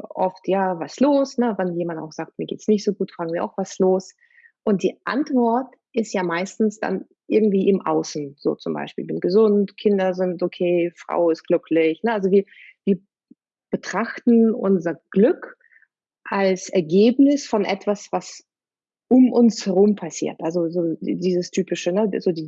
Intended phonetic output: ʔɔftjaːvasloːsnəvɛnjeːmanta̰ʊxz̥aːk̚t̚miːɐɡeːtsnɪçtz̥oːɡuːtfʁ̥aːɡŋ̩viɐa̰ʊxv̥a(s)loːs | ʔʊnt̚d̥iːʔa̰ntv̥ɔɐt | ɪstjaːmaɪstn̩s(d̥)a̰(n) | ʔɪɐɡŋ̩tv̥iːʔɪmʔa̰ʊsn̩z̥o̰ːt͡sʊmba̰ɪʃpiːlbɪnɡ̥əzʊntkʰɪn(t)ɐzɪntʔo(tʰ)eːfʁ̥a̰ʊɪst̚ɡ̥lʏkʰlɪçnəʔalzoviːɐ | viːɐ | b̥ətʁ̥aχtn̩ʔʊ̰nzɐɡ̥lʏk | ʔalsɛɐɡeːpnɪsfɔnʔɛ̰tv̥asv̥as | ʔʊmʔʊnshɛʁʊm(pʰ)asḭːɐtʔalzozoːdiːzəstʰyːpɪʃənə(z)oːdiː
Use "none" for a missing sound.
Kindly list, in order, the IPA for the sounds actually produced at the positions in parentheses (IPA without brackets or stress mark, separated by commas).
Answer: s, d̥, n, d, kʰ, pʰ, z